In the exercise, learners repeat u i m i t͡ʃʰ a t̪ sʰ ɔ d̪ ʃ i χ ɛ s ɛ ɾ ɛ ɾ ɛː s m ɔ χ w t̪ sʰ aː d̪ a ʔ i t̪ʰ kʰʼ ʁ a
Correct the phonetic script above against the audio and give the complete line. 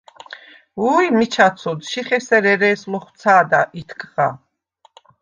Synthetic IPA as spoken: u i m i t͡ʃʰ a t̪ sʰ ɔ d̪ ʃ i χ ɛ s ɛ ɾ ɛ ɾ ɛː s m ɔ χ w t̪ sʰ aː d̪ a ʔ i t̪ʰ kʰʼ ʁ a